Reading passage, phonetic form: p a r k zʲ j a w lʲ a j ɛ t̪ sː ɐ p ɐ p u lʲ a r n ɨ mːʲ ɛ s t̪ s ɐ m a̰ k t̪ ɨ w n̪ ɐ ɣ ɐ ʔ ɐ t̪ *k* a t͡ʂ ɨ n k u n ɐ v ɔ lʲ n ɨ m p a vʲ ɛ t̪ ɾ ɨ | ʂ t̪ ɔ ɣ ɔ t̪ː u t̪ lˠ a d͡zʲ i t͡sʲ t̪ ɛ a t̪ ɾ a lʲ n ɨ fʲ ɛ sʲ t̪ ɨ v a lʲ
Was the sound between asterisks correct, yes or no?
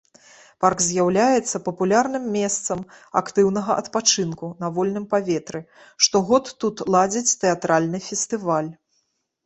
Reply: no